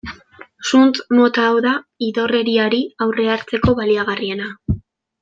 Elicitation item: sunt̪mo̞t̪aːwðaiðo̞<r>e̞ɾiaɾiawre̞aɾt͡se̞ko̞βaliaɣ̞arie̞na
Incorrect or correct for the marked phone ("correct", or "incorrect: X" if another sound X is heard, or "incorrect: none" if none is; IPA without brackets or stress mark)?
correct